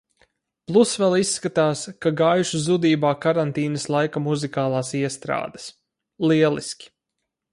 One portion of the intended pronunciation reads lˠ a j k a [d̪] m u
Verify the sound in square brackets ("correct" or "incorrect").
incorrect